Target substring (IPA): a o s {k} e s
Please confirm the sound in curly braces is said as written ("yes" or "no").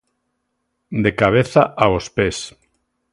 no